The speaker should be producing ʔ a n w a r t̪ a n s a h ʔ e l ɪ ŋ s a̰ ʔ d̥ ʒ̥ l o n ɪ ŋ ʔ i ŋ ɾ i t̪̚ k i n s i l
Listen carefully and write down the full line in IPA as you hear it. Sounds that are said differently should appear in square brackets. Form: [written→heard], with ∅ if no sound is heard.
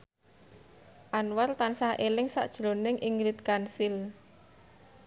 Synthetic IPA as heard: ʔ a n w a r t̪ a n s a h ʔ e l ɪ ŋ s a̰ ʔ d̥ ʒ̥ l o n ɪ ŋ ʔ i ŋ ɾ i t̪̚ k [i→a] n s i l